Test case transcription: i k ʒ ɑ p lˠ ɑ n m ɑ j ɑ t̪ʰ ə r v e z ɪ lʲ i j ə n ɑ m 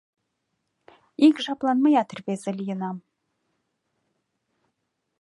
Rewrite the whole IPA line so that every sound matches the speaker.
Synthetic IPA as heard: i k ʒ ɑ p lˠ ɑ n m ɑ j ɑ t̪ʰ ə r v e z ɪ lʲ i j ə n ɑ m